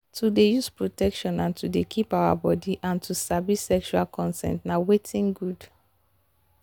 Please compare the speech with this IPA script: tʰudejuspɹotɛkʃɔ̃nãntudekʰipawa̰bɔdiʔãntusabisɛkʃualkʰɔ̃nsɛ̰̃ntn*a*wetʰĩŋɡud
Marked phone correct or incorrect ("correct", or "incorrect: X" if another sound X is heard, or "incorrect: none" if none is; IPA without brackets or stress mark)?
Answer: correct